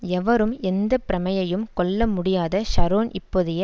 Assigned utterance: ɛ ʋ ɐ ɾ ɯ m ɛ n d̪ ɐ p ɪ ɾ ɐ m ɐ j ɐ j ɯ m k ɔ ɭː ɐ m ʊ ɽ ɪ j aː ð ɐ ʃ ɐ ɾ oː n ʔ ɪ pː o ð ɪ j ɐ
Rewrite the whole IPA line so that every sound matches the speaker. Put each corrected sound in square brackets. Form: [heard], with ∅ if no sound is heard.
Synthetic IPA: ɛ ʋ ɐ ɾ ɯ m ɛ n d̪ ɐ p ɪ ɾ ɐ m ɐ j ɐ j ɯ m k ɔ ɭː ɐ m ʊ ɽ ɪ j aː ð ɐ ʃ ɐ ɾ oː n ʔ ɪ pː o ð ɪ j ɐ